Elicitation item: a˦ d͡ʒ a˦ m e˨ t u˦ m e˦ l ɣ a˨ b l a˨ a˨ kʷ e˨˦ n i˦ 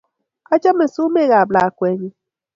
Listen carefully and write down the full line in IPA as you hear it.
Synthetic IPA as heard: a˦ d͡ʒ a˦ m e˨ s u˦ m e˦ ɣ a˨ b l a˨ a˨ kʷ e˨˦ ɲ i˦